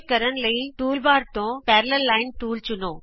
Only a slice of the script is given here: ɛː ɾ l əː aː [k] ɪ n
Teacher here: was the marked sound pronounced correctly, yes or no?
no